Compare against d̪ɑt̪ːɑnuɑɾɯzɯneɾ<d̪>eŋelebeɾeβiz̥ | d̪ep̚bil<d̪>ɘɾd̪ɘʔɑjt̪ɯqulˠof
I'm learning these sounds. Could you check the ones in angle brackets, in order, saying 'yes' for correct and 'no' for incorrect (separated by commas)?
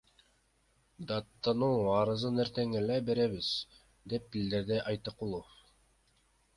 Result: no, yes